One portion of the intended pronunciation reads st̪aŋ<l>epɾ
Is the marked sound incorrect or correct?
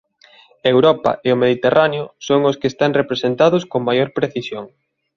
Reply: incorrect